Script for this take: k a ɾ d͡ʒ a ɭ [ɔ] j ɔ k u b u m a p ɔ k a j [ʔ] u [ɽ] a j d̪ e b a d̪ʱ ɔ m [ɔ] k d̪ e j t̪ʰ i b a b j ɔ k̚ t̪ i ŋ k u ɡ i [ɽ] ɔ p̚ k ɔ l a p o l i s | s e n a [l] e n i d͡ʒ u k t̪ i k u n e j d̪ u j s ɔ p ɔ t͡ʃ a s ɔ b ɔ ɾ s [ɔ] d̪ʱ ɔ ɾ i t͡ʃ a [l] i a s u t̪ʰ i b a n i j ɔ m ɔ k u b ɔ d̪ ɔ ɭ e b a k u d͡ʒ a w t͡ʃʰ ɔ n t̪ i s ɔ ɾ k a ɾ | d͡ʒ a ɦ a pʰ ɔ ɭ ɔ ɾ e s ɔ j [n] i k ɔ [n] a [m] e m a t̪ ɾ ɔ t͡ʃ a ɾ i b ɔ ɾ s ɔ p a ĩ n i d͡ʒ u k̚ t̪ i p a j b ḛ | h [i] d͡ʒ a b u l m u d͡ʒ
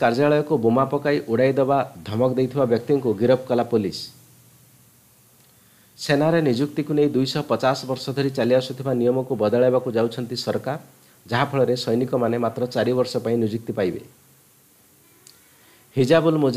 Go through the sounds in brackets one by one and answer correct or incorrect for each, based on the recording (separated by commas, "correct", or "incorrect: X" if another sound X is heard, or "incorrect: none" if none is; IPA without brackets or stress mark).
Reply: correct, correct, correct, correct, incorrect: ɾ, incorrect: ɾ, correct, correct, correct, incorrect: m, incorrect: n, correct